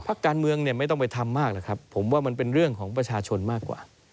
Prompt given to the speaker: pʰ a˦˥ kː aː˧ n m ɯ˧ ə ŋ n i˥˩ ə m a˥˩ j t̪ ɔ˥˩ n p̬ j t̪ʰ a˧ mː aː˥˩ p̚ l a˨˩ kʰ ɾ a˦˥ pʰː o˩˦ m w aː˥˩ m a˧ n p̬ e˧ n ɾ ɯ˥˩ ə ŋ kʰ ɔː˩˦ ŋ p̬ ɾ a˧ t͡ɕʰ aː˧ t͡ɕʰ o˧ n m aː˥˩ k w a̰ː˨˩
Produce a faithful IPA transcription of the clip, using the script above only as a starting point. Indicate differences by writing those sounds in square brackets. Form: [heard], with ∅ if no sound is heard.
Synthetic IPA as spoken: pʰ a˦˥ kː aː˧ n m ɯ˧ ə ŋ n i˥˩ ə m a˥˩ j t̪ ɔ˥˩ [ŋ] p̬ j t̪ʰ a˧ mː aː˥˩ [k̚] l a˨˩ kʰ ɾ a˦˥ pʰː o˩˦ m w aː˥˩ m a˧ n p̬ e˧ n ɾ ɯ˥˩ ə ŋ kʰ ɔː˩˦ ŋ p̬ ɾ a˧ t͡ɕʰ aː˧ t͡ɕʰ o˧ n m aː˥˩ k w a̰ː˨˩

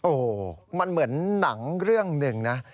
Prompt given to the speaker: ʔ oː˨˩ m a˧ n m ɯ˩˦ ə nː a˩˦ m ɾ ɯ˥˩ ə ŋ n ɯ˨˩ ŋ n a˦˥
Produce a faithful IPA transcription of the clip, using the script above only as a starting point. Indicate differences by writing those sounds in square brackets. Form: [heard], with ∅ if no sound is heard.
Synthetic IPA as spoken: ʔ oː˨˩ m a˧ n m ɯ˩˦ ə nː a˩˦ [ŋ] ɾ ɯ˥˩ ə ŋ n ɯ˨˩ ŋ n a˦˥

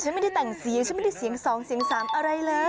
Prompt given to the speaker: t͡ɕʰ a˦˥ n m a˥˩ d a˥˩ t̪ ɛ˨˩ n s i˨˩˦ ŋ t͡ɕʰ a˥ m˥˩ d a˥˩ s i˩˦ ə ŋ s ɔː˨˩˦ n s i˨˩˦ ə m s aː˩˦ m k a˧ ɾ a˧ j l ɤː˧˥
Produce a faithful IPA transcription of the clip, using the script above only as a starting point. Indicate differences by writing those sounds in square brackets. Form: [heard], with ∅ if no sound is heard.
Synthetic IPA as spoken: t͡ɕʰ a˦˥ n m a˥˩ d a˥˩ t̪ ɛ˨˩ [ŋ] s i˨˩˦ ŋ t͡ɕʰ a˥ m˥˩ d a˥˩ s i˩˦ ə ŋ s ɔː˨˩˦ [ŋ] s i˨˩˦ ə [ŋ] s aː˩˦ m [ʔ] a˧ ɾ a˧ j l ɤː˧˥

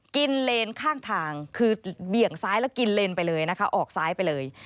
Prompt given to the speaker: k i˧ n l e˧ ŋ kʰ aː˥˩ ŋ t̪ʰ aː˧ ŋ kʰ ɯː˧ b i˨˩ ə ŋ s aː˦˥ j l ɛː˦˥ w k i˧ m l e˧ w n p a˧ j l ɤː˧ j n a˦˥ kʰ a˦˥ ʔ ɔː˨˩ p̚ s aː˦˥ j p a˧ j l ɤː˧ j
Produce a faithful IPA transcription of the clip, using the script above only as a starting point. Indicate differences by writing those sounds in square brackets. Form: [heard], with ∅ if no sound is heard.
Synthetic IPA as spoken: k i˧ n l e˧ [n] kʰ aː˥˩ ŋ t̪ʰ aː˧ ŋ kʰ ɯː˧ b i˨˩ ə ŋ s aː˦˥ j l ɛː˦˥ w k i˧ [n] l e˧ [∅] n p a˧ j l ɤː˧ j n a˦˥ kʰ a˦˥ ʔ ɔː˨˩ [k̚] s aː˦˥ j p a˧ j l ɤː˧ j

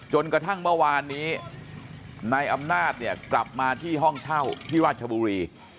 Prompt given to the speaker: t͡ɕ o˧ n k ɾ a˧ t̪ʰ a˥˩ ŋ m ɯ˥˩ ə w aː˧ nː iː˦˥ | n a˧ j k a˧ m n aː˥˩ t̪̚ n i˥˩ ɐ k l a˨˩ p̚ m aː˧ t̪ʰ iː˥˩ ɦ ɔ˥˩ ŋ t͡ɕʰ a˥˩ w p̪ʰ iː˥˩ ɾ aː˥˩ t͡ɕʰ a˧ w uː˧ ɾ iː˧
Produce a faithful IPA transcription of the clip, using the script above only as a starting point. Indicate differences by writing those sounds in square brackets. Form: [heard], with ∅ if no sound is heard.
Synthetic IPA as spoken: t͡ɕ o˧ n k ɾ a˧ t̪ʰ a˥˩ ŋ m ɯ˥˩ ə w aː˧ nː iː˦˥ | n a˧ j [ʔ] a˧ m n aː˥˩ t̪̚ n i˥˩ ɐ k l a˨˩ p̚ m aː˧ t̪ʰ iː˥˩ ɦ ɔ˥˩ ŋ t͡ɕʰ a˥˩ w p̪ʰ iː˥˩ ɾ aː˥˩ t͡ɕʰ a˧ [b] uː˧ ɾ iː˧

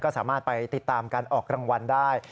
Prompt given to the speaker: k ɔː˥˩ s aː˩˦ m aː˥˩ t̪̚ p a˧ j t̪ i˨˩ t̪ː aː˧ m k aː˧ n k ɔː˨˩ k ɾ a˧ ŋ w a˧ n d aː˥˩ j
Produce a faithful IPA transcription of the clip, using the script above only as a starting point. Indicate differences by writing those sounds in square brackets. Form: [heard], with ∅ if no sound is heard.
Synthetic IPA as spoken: k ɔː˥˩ s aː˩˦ m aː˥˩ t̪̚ p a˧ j t̪ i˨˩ t̪ː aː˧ m k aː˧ n [ʔ] ɔː˨˩ k ɾ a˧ ŋ w a˧ n d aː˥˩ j

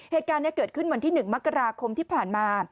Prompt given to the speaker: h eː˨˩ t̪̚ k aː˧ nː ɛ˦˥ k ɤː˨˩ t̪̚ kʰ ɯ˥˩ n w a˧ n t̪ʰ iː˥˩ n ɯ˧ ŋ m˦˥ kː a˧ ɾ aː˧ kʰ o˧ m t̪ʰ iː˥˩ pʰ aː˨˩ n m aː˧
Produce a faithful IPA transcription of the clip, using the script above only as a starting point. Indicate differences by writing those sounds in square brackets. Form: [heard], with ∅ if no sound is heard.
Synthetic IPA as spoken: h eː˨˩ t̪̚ k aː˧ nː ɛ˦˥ k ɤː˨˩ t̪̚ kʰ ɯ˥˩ n w a˧ n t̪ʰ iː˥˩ n [ɯ˨˩] ŋ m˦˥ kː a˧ ɾ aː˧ kʰ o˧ m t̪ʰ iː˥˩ pʰ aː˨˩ n m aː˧

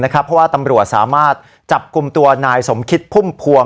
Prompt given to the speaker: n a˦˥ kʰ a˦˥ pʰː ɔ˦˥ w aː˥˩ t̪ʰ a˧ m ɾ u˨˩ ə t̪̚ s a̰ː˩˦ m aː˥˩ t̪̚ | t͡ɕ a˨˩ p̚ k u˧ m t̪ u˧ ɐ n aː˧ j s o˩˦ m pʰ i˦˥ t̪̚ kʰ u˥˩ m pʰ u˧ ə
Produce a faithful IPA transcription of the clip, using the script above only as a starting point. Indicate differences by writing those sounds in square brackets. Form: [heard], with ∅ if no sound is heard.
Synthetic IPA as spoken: n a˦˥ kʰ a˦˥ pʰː ɔ˦˥ w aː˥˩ [t̪] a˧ m ɾ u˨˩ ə t̪̚ s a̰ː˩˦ m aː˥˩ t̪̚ | t͡ɕ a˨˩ p̚ k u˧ m t̪ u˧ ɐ n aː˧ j s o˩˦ m [kʰ] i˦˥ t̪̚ [pʰ] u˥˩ m pʰ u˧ ə

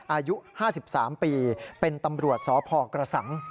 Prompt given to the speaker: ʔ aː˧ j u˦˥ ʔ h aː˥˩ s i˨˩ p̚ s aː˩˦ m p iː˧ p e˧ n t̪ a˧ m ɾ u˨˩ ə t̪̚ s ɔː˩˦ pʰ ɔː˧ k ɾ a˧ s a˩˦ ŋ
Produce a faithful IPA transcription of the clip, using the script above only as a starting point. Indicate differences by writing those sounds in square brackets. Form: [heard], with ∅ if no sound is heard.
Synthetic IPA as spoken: ʔ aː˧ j u˦˥ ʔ h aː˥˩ s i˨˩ p̚ s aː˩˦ m p iː˧ p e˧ n t̪ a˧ m ɾ u˨˩ ə t̪̚ s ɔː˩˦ pʰ ɔː˧ k ɾ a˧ s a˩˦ ŋ

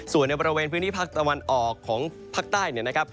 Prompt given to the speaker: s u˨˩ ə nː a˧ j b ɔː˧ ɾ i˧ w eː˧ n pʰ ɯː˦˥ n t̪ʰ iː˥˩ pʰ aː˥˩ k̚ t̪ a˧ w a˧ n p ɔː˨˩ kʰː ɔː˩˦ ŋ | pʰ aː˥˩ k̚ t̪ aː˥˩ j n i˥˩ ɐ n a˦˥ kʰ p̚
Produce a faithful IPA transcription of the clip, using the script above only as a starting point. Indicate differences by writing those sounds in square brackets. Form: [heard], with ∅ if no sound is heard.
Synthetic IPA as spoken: s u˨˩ ə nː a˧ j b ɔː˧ ɾ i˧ w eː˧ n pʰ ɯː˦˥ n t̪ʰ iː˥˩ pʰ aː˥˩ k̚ t̪ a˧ w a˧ n [ʔ] ɔː˨˩ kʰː ɔː˩˦ ŋ | pʰ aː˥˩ k̚ t̪ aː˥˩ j n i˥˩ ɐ n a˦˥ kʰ p̚

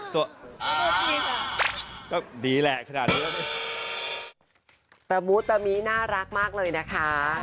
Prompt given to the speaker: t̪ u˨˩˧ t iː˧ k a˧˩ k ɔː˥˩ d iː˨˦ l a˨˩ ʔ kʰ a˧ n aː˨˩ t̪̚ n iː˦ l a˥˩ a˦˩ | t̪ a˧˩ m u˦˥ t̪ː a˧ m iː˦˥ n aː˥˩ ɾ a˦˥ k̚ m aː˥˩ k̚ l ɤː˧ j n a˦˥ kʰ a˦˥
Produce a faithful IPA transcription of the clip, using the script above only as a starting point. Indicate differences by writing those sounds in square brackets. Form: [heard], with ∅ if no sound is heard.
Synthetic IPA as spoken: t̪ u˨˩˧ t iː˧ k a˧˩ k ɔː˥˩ d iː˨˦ l [ɛ˨˩] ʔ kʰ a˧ n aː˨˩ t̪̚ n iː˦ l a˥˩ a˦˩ | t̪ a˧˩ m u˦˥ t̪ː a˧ m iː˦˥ n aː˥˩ ɾ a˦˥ k̚ m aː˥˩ k̚ l ɤː˧ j n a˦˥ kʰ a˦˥

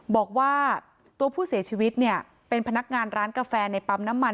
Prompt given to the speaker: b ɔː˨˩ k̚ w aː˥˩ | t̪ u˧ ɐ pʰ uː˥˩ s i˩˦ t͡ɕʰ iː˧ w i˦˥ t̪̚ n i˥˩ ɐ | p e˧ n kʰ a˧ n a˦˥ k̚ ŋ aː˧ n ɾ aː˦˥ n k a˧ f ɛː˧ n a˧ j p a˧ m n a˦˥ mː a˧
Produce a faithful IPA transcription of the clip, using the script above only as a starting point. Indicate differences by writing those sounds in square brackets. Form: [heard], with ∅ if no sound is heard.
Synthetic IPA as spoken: b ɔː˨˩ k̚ w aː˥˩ | t̪ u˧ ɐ pʰ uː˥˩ s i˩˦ t͡ɕʰ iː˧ w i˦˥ t̪̚ n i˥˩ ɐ | p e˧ n [pʰ] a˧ n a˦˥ k̚ ŋ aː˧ n ɾ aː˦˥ n k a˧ f ɛː˧ n a˧ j p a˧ m n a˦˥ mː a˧

